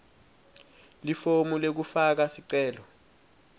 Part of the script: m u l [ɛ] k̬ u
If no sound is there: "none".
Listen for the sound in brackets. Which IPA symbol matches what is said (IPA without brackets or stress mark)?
e